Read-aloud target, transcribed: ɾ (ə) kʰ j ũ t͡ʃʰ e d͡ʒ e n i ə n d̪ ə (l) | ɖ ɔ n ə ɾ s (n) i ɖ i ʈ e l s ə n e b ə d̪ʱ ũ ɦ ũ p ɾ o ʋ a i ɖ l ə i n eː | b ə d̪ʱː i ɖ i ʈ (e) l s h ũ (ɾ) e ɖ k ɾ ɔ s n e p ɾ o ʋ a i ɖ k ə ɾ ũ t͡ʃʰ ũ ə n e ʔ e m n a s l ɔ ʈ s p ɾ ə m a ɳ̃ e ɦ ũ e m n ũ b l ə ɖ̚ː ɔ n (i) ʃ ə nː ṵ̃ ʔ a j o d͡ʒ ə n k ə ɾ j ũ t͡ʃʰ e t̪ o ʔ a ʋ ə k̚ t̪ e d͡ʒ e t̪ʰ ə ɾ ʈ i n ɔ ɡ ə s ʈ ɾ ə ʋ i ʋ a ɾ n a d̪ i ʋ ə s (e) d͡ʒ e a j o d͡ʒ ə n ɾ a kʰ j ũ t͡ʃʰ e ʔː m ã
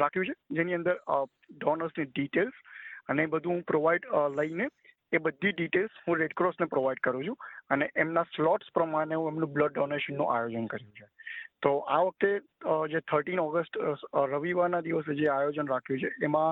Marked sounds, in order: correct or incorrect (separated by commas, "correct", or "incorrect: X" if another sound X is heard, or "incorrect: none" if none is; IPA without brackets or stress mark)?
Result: incorrect: a, incorrect: ɾ, correct, correct, correct, incorrect: e, correct